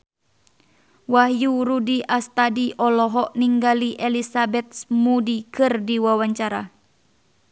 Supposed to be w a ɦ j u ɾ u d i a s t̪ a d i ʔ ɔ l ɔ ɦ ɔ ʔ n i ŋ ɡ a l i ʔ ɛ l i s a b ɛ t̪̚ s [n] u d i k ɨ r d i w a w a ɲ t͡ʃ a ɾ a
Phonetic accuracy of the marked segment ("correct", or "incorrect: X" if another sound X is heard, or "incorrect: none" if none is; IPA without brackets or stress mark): incorrect: m